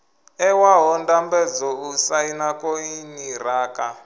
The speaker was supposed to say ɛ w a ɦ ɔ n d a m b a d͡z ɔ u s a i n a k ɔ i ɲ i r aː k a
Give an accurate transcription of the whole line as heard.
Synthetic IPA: ɛ w a ɦ ɔ n d a m b ɛ d͡z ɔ u s a i n a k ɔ i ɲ i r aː k a